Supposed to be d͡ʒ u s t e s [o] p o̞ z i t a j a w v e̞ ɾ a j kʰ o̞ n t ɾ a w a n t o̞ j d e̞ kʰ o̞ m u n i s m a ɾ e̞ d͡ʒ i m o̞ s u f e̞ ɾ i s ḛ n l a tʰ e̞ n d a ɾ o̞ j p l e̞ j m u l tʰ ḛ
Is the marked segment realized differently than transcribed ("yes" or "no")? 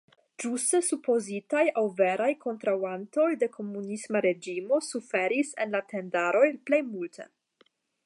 yes